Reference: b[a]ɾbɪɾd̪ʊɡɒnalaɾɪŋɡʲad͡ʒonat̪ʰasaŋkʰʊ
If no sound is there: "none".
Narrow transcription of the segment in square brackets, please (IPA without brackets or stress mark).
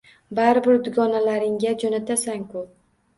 a